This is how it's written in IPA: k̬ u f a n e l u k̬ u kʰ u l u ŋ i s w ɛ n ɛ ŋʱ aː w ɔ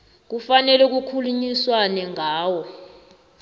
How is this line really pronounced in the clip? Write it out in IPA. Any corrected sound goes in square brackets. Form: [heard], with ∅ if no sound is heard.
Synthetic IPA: k̬ u f a n [ɛ] l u k̬ u kʰ u l u [ɲ] i s w [a] n ɛ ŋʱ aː w ɔ